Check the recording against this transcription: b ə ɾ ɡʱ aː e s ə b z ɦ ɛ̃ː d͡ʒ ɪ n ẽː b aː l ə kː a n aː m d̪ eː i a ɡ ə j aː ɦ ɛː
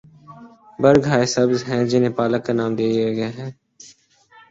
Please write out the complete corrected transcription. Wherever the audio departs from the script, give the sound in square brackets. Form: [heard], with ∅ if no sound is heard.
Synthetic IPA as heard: b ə ɾ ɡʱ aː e s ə b z ɦ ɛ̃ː d͡ʒ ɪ n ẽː [p] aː l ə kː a n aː m d̪ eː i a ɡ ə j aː ɦ ɛː

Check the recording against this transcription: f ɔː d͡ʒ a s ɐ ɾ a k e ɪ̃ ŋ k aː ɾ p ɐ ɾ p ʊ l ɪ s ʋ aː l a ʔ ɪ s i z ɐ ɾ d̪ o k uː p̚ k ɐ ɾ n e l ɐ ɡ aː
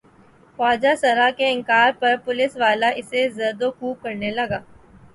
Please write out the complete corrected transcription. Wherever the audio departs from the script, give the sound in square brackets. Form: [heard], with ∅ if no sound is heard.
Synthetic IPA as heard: f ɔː d͡ʒ a s ɐ ɾ a k e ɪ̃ ŋ k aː ɾ p ɐ ɾ p ʊ l ɪ s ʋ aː l a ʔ ɪ s [e] z ɐ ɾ d̪ o k uː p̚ k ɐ ɾ n e l ɐ ɡ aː

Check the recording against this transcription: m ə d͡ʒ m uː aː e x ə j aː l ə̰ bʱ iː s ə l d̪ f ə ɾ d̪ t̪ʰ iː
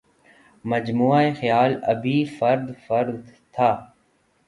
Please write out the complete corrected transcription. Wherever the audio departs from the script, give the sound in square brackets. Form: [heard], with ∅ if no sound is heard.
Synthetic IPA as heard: m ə d͡ʒ m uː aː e x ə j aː l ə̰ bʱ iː [f] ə [ɾ] d̪ f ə ɾ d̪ t̪ʰ [aː]

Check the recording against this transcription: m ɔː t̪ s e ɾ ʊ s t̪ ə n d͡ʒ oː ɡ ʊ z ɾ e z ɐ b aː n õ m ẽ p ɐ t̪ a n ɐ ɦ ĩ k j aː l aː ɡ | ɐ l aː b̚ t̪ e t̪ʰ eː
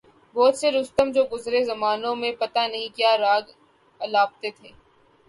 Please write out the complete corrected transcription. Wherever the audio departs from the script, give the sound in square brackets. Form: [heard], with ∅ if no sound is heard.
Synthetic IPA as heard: [b] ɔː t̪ s e ɾ ʊ s t̪ ə [m] d͡ʒ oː ɡ ʊ z ɾ e z ɐ [m] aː n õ m ẽ p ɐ t̪ a n ɐ ɦ ĩ k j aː [ɾ] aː ɡ | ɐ l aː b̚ t̪ e t̪ʰ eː

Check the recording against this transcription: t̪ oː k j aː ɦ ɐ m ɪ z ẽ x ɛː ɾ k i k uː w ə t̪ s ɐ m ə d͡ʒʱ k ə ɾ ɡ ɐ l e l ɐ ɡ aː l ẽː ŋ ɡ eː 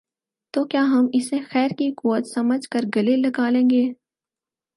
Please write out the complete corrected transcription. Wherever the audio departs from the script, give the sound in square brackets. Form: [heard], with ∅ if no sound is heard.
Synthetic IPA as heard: t̪ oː k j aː ɦ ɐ m ɪ [s] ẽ x ɛː ɾ k i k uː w ə t̪ s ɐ m ə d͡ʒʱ k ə ɾ ɡ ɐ l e l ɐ ɡ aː l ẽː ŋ ɡ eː

